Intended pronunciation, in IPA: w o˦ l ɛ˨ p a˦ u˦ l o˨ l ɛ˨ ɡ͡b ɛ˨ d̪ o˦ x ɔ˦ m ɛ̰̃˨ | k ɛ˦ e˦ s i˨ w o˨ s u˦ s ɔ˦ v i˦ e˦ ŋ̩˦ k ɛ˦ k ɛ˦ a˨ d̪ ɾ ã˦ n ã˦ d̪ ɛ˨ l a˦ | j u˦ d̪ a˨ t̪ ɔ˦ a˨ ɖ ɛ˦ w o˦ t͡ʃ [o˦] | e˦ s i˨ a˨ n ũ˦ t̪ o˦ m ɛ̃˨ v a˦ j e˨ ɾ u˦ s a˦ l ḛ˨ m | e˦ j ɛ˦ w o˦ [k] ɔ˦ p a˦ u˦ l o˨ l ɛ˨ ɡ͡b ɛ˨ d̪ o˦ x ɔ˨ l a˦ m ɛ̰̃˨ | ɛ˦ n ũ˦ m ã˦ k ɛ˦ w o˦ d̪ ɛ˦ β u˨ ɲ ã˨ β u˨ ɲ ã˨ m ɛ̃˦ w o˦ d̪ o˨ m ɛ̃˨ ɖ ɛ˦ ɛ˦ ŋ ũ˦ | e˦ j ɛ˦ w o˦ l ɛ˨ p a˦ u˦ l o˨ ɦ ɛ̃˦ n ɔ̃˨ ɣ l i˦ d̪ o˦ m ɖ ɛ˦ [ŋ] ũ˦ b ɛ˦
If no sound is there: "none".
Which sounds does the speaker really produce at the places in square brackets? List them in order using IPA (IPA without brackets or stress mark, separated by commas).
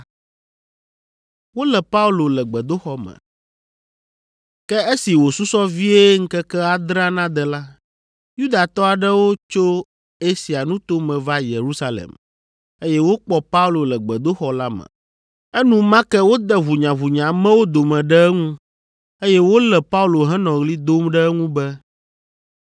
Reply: o˦, k͡p, ŋ